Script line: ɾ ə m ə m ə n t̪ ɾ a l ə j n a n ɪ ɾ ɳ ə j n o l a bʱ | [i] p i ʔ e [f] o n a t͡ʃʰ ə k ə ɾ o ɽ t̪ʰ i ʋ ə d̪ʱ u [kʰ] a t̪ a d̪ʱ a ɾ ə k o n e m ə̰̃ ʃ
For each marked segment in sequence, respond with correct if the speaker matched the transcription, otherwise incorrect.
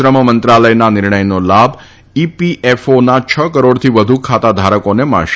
correct, correct, correct

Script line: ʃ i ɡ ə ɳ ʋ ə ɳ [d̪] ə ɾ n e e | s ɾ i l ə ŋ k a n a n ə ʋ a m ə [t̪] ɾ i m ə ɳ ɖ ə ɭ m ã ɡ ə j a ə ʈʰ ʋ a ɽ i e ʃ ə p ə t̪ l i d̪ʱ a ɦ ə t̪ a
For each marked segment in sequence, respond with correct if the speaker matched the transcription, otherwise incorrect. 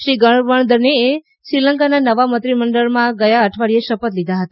correct, correct

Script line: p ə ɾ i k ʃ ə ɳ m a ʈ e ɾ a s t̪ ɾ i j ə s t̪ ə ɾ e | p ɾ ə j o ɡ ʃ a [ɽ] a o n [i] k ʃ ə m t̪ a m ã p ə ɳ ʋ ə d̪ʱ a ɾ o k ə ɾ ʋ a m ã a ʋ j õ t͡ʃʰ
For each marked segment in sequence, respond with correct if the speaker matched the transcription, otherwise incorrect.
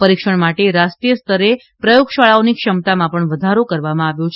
incorrect, correct

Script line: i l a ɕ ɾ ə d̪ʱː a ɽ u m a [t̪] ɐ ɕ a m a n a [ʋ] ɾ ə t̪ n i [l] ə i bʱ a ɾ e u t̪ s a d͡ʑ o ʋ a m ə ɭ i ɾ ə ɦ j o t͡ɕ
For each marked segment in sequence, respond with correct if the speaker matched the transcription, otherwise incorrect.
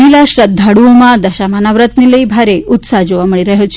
incorrect, correct, correct

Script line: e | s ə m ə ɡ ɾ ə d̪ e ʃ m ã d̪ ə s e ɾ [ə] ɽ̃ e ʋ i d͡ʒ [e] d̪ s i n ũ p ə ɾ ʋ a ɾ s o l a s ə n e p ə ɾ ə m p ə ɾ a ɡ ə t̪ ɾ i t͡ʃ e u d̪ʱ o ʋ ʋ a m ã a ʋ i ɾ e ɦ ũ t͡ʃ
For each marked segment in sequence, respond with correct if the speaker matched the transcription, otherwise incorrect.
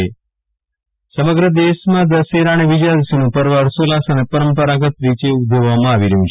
incorrect, incorrect

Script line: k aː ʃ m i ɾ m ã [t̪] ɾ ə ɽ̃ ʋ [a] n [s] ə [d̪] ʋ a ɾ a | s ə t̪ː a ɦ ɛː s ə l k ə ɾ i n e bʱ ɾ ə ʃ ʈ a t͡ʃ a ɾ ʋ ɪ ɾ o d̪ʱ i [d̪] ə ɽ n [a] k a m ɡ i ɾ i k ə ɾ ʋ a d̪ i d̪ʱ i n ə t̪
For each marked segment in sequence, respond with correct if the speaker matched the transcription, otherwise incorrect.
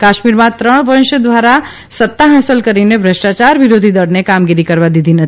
correct, incorrect, incorrect, correct, correct, incorrect

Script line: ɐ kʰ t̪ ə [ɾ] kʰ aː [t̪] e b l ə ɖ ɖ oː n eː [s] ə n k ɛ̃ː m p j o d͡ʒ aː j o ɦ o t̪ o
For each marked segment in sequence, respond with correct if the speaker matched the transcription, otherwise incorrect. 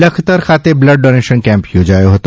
correct, correct, incorrect

